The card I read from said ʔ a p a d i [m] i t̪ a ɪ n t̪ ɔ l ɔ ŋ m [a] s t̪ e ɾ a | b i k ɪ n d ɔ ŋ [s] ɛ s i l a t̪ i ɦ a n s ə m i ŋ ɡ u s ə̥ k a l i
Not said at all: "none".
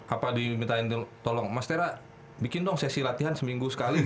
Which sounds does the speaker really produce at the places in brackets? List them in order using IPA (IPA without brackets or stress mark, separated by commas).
m, a, s